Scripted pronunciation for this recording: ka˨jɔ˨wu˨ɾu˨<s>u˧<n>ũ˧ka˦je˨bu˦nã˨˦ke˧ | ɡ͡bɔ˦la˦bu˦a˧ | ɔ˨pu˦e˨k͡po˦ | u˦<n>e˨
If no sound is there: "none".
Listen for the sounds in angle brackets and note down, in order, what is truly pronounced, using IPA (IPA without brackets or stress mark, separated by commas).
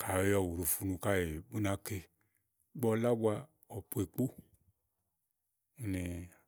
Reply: f, n, n